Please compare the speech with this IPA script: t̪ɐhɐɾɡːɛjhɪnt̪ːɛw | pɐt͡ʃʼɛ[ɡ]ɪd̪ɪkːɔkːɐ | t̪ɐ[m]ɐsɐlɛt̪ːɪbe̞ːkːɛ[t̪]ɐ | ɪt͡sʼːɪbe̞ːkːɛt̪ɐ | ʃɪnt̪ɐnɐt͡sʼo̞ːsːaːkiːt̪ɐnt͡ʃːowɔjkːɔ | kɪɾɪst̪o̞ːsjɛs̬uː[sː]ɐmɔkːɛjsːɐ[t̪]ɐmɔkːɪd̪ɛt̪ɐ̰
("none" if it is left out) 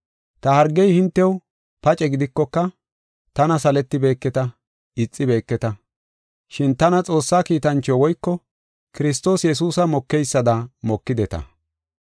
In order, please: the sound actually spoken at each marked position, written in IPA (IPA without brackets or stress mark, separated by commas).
ɡ, n, t̪, s, d̪